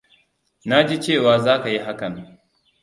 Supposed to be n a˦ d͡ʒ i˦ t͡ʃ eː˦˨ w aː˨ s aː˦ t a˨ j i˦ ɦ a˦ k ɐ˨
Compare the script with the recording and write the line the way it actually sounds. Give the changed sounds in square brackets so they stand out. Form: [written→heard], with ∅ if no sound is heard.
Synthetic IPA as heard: n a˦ d͡ʒ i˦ t͡ʃ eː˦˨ w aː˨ [s→z] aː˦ [t→k] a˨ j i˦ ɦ a˦ k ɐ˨